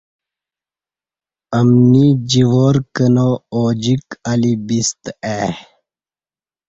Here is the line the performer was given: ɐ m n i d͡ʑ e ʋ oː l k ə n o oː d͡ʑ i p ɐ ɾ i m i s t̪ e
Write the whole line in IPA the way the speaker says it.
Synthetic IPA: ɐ m n i d͡ʑ i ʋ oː ɾ k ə n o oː d͡ʑ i k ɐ l i b i s t̪ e